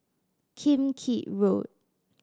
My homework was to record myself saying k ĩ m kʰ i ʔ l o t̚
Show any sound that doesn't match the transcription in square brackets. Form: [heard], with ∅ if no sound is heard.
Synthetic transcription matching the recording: [kʰ] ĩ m kʰ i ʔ [ɹ] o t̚